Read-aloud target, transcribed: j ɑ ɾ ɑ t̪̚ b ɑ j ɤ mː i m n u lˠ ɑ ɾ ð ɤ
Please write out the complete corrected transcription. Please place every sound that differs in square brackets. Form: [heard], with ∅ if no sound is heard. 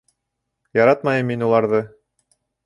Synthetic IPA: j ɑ ɾ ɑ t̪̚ [m] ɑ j ɤ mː i [∅] n u lˠ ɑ ɾ ð ɤ